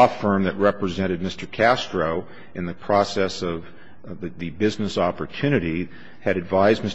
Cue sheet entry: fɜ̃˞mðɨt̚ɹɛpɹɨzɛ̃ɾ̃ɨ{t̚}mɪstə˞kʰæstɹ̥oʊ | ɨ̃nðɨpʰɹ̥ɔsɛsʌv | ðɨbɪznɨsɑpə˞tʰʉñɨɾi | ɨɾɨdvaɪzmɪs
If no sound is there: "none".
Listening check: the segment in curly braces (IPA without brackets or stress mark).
d̚